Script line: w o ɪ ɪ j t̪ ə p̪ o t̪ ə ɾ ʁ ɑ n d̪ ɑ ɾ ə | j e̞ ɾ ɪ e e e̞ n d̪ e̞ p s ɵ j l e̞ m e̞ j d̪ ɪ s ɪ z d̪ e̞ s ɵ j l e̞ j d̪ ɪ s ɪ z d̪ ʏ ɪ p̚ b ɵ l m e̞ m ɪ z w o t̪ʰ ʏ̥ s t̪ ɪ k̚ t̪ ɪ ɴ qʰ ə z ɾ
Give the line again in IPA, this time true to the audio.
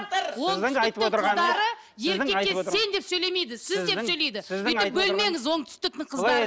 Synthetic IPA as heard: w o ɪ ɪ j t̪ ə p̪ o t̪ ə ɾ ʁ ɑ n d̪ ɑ ɾ ə | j e̞ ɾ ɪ e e e̞ n d̪ e̞ p s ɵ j l e̞ m e̞ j d̪ ɪ s ɪ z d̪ e̞ s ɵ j l e̞ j d̪ ɪ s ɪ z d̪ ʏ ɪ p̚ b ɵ l m e̞ ŋ ɪ z w o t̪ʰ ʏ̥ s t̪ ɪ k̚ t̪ ɪ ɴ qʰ ə z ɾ

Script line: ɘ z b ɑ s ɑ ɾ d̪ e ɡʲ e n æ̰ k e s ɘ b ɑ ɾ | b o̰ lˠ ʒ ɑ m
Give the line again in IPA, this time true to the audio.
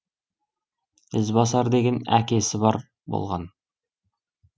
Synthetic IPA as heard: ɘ z b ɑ s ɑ ɾ d̪ e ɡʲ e n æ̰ k e s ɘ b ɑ ɾ | b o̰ lˠ ʁ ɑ n

